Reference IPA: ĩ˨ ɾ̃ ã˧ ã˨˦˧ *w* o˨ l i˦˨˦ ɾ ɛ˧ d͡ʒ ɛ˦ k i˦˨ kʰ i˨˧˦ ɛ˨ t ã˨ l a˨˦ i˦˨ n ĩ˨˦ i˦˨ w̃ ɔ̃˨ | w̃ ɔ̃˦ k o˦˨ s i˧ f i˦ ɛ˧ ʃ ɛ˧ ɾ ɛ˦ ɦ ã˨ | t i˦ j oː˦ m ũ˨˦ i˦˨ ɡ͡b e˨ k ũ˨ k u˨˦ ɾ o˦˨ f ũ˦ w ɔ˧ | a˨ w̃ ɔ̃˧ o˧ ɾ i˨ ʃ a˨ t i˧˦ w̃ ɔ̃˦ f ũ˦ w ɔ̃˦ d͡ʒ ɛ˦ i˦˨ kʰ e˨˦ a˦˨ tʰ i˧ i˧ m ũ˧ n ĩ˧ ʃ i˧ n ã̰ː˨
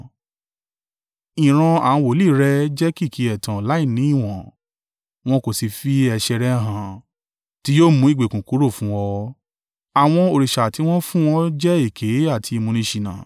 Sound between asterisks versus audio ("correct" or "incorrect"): correct